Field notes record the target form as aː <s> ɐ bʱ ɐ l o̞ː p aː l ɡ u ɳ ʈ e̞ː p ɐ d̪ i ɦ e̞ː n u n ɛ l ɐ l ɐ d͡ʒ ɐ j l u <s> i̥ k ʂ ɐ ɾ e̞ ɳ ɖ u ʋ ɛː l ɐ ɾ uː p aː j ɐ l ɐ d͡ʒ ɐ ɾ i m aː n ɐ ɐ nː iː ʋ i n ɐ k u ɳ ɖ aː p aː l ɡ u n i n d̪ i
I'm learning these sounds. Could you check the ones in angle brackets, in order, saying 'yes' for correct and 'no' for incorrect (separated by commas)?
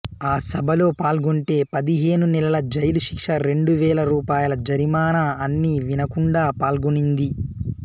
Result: yes, no